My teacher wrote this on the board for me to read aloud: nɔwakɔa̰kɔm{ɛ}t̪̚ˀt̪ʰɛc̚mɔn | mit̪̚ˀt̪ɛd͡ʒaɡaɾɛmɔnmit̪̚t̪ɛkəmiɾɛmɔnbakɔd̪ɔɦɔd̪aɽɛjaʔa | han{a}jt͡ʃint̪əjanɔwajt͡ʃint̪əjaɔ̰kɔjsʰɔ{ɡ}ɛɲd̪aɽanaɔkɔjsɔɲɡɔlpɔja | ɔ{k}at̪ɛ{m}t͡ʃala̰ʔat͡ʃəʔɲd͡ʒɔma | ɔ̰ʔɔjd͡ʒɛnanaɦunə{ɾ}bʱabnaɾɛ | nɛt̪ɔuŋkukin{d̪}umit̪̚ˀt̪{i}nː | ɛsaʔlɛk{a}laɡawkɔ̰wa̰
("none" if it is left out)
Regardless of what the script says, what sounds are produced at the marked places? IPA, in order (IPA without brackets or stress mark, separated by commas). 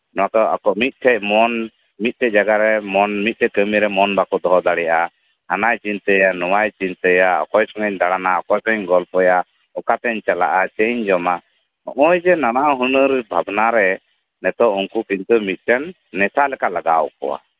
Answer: i, a, ŋ, k, ɲ, ɾ, t̪, ɛ, a